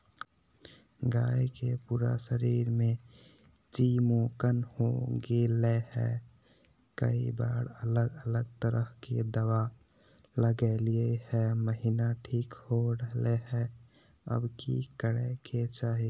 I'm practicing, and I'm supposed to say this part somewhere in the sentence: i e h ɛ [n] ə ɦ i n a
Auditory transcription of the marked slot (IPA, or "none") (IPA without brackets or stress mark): m